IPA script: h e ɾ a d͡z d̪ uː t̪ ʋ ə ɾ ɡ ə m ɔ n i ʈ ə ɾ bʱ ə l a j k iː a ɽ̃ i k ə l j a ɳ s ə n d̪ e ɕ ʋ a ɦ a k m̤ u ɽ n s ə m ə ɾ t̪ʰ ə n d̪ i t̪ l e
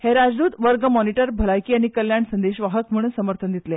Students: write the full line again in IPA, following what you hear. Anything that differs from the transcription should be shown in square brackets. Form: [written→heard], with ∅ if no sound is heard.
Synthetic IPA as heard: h e ɾ a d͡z d̪ uː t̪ ʋ ə ɾ ɡ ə m ɔ n i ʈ ə ɾ bʱ ə l a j k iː a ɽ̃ i k ə l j a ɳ s ə n d̪ e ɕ ʋ a ɦ [a→ə] k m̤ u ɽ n s ə m ə ɾ t̪ʰ ə n d̪ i t̪ l e

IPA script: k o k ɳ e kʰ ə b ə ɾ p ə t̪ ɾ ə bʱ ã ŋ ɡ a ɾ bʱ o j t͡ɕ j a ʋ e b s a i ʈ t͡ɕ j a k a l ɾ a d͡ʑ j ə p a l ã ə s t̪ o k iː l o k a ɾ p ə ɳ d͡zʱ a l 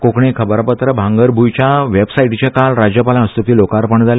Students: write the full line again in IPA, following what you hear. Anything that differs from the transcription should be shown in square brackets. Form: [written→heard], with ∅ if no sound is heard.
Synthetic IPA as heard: k o k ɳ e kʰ ə b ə ɾ p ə t̪ ɾ ə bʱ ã ŋ ɡ [a→ə] ɾ bʱ [o→u] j t͡ɕ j a ʋ e b s a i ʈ t͡ɕ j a k a l ɾ a d͡ʑ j ə p a l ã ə s t̪ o k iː l o k a ɾ p ə ɳ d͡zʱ a l

